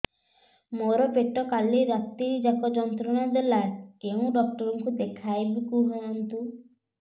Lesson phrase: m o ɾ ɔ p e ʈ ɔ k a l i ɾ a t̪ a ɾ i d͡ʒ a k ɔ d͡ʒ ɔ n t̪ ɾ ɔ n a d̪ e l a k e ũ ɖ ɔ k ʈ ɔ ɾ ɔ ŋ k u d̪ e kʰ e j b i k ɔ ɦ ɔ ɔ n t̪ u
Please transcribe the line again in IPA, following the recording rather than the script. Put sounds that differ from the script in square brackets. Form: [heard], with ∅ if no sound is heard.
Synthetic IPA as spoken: m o ɾ ɔ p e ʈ ɔ k a l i ɾ a t̪ [i] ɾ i d͡ʒ a k ɔ d͡ʒ ɔ n t̪ ɾ ɔ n a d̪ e l a k e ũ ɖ ɔ k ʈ ɔ ɾ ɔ ŋ k u d̪ e kʰ [a] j b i k [u] ɦ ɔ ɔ n t̪ u